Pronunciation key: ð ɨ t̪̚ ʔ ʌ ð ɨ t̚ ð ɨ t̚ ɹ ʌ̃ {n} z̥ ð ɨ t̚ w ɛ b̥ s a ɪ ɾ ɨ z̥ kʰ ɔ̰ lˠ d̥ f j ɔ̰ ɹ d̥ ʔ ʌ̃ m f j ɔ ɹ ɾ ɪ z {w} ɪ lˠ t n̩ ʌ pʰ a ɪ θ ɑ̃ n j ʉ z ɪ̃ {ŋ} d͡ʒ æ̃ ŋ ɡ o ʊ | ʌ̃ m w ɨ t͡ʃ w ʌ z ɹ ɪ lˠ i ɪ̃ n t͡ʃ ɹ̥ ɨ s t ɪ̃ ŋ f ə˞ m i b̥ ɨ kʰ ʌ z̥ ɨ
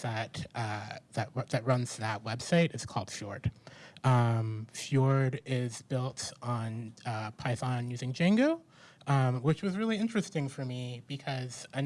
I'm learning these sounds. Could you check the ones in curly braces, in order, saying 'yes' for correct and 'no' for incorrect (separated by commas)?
yes, no, yes